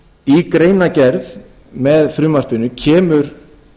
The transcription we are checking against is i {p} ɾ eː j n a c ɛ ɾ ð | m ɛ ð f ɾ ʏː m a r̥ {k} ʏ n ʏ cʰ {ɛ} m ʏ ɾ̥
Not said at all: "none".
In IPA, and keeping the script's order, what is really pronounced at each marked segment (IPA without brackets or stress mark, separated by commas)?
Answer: k, p, ɛː